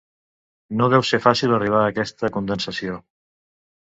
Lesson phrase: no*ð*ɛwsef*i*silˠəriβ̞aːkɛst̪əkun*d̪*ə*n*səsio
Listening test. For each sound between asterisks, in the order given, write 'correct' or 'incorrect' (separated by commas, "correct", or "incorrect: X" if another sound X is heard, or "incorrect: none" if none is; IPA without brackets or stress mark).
correct, incorrect: a, correct, correct